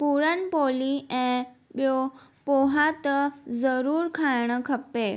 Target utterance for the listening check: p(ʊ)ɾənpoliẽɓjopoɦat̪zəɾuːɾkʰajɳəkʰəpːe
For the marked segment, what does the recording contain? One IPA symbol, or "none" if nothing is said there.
u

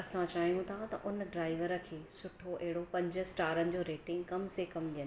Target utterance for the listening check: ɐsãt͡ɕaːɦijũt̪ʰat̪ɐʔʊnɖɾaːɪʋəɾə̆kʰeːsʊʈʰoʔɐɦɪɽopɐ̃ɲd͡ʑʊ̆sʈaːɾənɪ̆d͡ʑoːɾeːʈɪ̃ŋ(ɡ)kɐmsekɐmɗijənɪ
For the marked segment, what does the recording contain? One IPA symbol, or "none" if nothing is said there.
ɡ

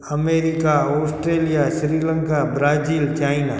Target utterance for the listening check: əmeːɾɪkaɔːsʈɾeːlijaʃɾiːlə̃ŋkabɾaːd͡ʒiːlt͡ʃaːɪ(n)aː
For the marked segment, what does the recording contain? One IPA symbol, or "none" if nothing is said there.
n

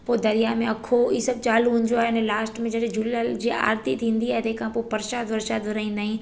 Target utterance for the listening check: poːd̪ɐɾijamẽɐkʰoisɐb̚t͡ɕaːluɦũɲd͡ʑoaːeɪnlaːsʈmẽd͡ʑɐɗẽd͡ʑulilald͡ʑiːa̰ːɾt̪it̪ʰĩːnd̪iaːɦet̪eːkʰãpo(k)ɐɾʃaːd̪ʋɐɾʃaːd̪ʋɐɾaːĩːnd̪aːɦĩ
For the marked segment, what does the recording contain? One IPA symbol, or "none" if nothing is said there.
p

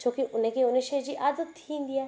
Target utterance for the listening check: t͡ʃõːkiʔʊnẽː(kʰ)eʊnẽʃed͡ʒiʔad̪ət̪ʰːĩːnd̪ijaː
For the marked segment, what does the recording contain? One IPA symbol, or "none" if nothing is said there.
k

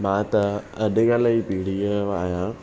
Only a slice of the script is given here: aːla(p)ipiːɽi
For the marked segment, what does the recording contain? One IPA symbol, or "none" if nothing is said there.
none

